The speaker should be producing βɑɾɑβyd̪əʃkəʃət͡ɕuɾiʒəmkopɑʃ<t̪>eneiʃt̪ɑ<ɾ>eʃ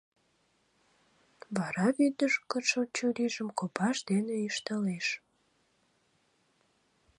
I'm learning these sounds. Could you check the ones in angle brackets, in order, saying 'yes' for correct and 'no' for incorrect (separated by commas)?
no, no